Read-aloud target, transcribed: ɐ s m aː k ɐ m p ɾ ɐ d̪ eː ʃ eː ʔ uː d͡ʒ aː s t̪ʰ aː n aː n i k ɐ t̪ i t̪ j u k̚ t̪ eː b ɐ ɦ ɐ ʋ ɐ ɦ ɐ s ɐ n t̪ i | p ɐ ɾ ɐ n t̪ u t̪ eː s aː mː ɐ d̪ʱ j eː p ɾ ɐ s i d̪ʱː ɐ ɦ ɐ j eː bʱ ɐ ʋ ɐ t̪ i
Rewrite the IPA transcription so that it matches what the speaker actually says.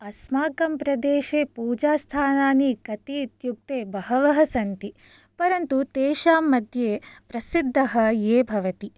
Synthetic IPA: ɐ s m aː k ɐ m p ɾ ɐ d̪ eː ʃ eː p uː d͡ʒ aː s t̪ʰ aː n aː n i k ɐ t̪ i t̪ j u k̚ t̪ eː b ɐ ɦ ɐ ʋ ɐ ɦ ɐ s ɐ n t̪ i | p ɐ ɾ ɐ n t̪ u t̪ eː ʃ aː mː ɐ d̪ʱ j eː p ɾ ɐ s i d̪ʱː ɐ ɦ ɐ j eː bʱ ɐ ʋ ɐ t̪ i